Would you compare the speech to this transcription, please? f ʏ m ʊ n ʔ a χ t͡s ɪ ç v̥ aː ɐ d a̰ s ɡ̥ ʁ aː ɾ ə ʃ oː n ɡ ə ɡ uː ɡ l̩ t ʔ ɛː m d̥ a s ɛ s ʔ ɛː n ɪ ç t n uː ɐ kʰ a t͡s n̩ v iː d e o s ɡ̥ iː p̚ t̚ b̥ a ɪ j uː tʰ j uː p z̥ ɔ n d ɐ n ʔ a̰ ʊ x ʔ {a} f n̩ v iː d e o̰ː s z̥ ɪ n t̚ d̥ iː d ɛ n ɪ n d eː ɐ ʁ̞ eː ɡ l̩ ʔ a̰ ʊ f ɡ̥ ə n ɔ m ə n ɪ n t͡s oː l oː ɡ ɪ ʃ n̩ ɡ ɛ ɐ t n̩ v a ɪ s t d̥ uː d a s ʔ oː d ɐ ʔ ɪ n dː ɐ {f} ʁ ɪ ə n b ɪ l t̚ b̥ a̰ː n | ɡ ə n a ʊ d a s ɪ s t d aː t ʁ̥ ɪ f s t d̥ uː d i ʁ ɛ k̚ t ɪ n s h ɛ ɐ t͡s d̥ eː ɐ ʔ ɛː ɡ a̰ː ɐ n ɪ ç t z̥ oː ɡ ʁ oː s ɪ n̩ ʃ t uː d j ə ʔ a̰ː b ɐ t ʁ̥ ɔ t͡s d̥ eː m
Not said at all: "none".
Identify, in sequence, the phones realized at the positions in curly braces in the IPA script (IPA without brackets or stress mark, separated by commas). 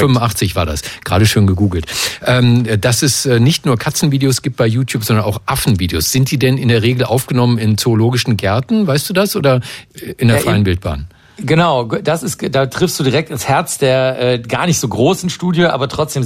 a, f